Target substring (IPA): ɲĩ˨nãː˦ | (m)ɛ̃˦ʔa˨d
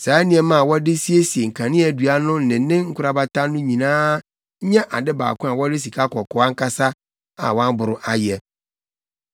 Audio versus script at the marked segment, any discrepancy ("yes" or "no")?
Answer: yes